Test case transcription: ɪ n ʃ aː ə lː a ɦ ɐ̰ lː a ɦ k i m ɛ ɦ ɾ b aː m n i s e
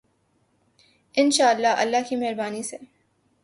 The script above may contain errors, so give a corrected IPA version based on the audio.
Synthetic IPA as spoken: ɪ n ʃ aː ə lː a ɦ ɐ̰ lː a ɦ k i m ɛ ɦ ɾ b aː n i s e